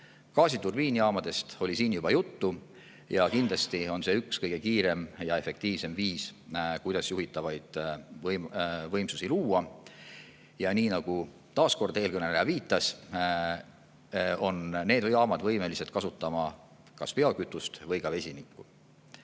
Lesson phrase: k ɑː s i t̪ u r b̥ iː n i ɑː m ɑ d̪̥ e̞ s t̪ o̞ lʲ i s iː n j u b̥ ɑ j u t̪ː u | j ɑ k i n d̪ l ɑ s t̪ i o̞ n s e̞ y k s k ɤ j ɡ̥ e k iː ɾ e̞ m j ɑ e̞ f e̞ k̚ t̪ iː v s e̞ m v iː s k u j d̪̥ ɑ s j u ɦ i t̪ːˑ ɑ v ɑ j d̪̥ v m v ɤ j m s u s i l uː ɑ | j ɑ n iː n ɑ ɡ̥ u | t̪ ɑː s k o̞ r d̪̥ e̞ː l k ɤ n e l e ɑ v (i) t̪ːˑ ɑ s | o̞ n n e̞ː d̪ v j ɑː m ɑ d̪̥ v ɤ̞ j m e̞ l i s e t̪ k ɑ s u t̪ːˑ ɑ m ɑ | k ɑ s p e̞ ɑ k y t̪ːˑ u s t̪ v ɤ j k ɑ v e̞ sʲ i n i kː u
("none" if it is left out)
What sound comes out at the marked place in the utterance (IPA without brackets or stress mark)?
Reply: iː